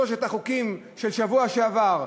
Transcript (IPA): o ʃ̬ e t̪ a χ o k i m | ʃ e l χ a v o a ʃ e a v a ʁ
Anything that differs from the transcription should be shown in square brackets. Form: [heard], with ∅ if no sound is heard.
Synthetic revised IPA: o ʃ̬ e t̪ a χ [u] k i m | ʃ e l [ʃ] a v [u] a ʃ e a v a ʁ